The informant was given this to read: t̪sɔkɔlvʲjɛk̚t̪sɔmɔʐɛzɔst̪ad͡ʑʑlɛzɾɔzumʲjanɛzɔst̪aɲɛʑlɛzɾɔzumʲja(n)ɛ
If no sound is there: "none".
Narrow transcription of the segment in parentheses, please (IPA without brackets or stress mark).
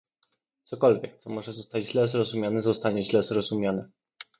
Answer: n